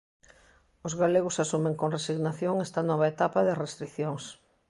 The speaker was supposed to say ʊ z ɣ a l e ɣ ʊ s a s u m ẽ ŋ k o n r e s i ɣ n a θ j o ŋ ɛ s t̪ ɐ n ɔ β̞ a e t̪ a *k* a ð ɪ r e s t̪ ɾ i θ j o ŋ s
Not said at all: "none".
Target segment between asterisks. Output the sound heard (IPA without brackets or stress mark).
p